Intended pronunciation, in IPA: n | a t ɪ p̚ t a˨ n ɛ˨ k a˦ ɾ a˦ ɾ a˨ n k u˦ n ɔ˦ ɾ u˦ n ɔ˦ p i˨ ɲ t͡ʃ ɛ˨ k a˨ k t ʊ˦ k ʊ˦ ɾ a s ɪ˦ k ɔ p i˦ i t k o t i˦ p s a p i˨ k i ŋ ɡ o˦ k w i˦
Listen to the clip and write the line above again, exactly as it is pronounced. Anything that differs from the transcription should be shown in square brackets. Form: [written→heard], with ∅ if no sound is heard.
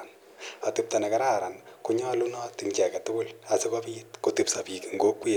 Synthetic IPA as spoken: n | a t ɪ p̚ t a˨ n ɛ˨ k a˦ ɾ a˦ ɾ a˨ n k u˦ [n→ɲ] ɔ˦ [ɾ→l] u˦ n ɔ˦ [p→t] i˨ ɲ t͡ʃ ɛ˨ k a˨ [k→∅] t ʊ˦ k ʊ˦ [ɾ→l] a s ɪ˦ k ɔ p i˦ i t k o t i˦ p s a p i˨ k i ŋ ɡ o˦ k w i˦